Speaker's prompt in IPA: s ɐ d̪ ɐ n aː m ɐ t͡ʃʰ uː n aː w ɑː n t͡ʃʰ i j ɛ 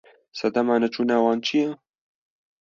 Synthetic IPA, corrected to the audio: s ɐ d̪ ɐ m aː n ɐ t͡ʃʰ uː n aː w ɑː n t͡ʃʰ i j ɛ